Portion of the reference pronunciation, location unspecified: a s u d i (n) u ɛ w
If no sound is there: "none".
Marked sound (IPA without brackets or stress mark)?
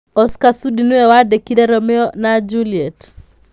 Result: n